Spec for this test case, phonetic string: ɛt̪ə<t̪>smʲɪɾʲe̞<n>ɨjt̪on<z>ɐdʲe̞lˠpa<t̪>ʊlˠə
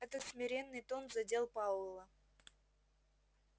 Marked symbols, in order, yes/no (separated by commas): yes, no, yes, no